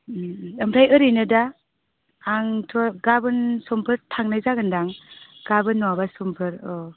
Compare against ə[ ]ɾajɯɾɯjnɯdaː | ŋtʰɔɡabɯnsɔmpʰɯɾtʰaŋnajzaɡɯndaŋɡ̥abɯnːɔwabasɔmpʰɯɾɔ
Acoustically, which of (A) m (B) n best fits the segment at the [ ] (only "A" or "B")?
A